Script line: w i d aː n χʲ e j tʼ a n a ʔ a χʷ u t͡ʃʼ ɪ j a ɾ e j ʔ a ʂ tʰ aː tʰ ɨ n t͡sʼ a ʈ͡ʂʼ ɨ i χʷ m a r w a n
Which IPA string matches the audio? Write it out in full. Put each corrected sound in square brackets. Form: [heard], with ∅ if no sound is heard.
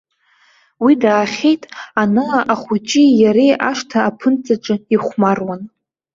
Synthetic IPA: w i d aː [∅] χʲ e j tʼ a n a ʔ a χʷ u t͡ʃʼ [i] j a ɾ e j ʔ a ʂ tʰ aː [pʰ] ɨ n t͡sʼ a ʈ͡ʂʼ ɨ i χʷ m a r w a n